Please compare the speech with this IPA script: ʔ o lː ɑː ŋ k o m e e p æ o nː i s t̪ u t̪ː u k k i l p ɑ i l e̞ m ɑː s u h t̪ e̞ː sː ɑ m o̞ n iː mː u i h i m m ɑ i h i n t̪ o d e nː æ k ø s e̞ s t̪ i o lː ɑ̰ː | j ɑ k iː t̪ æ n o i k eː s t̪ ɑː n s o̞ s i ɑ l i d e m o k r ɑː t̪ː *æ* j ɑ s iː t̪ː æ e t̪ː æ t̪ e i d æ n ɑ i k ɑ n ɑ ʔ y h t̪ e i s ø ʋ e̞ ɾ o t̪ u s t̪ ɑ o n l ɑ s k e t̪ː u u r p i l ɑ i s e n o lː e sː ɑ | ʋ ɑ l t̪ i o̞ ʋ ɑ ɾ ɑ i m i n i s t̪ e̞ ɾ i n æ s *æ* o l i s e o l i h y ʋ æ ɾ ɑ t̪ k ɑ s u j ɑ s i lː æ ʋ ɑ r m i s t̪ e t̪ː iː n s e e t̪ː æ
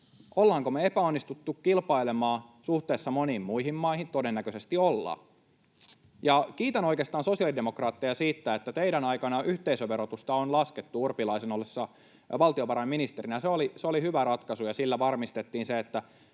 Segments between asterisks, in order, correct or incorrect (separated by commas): incorrect, incorrect